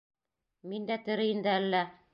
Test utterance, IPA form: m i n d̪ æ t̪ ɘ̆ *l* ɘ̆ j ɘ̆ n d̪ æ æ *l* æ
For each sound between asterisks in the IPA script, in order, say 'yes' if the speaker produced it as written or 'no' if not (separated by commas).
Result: no, no